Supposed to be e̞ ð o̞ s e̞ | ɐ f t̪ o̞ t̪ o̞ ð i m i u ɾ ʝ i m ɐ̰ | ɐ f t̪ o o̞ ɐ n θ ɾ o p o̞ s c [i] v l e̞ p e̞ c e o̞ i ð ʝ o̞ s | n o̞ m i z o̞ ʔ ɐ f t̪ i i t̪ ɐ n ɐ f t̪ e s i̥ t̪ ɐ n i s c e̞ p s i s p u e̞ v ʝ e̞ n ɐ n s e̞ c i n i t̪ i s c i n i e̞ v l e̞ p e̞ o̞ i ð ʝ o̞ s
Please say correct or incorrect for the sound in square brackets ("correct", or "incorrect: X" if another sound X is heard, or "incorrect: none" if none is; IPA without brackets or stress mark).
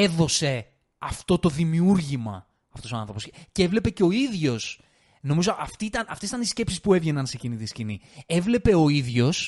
incorrect: e